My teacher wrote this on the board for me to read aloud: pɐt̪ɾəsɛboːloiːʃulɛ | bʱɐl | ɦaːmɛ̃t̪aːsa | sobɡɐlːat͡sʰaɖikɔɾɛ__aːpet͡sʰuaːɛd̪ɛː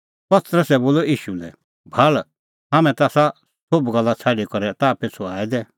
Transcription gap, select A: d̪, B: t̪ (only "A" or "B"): B